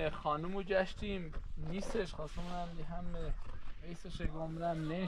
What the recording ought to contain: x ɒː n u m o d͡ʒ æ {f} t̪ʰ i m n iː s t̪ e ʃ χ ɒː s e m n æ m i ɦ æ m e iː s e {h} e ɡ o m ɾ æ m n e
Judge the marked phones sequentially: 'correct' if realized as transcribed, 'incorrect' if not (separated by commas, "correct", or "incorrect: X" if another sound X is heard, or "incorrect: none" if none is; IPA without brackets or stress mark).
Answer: incorrect: ʃ, incorrect: ʃ